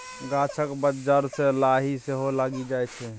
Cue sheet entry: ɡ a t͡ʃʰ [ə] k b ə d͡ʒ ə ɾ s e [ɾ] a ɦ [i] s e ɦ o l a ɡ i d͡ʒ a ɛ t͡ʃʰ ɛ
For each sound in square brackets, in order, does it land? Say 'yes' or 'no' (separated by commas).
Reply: yes, no, yes